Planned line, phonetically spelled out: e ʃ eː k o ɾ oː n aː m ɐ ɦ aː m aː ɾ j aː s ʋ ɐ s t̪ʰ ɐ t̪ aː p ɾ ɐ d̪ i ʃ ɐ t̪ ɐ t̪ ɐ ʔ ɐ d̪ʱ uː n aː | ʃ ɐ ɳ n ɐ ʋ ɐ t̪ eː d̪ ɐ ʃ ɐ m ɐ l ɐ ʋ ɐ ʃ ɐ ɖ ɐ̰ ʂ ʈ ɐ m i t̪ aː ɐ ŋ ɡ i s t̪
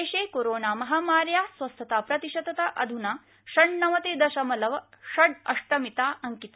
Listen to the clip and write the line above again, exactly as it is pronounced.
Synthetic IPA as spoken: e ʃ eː k o ɾ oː n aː m ɐ ɦ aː m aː ɾ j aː s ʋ ɐ s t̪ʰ ɐ t̪ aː p ɾ ɐ t̪ i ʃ ɐ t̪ ɐ t̪ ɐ ʔ ɐ d̪ʱ u n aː | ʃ ɐ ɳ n ɐ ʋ ɐ t̪ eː d̪ ɐ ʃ ɐ m ɐ l ɐ ʋ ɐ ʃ ɐ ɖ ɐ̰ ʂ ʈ ɐ m i t̪ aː ɐ ŋ k i t̪